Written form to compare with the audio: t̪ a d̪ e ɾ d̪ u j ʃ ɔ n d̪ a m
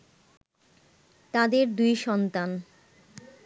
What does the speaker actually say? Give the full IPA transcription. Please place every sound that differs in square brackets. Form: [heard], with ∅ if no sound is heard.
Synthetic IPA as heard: t̪ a d̪ e ɾ d̪ u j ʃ ɔ n [t̪] a [n]

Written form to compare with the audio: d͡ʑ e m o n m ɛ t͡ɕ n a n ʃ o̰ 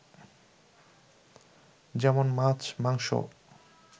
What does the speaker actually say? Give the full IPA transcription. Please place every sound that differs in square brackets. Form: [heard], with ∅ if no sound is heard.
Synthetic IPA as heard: d͡ʑ [ɛ] m o n m [a] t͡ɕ [m] a [ŋ] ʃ o̰

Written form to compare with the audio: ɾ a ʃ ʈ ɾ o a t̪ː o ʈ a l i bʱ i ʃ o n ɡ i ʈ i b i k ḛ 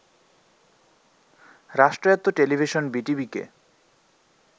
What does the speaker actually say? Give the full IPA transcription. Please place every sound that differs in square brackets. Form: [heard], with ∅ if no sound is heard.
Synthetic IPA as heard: ɾ a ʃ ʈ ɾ o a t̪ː o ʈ [e] l i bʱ i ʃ o n [b] i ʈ i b i k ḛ

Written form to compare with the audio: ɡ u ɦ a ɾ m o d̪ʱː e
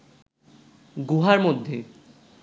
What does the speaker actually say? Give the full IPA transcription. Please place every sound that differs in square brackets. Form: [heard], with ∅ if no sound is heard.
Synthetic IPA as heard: ɡ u ɦ a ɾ m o d̪ʱː e

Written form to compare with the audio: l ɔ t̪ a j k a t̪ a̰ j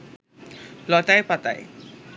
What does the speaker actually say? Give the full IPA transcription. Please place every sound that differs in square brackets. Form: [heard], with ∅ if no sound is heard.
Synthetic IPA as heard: l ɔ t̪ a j [p] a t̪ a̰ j

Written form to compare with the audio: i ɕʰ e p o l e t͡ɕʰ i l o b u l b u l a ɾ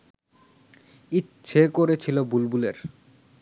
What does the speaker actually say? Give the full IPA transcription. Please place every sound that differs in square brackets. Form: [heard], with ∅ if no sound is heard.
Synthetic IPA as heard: i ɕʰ e [k] o [ɾ] e t͡ɕʰ i l o b u l b u l [e] ɾ

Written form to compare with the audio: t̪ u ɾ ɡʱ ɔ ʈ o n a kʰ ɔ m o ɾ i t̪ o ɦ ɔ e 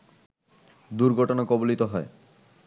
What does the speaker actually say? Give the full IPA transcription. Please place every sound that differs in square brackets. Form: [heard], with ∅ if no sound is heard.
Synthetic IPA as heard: [d̪] u ɾ ɡʱ ɔ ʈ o n a [k] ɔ [b] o [l] i t̪ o ɦ ɔ e

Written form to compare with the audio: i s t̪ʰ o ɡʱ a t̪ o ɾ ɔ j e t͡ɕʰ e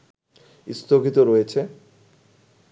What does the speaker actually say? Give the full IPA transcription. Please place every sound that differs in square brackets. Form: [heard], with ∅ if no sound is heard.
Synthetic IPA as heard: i s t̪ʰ o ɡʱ [i] t̪ o ɾ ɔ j e t͡ɕʰ e

